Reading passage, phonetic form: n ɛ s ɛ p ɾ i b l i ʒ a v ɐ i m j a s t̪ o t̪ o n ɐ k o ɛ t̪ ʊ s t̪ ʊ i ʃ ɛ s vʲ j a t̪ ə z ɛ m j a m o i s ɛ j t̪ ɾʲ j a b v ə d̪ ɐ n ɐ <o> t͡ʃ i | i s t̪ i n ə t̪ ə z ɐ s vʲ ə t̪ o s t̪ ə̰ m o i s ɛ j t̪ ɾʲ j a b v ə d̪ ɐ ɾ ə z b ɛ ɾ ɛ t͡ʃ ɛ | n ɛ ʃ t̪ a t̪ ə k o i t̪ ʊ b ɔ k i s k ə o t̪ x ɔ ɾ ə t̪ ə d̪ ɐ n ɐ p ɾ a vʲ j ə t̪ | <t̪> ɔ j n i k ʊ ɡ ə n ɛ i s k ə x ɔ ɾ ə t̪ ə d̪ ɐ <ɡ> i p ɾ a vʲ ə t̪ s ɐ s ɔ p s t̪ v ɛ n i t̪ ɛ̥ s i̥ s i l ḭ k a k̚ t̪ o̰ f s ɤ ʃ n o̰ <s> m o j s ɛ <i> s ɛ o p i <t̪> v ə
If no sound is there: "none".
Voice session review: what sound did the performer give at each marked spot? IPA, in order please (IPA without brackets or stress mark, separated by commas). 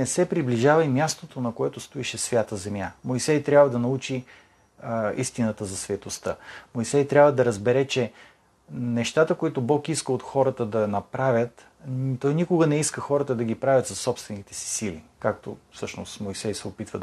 u, t̪, ɡ, s, j, t̪